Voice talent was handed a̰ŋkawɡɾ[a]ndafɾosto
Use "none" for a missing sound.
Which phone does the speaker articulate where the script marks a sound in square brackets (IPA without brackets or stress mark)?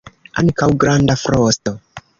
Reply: a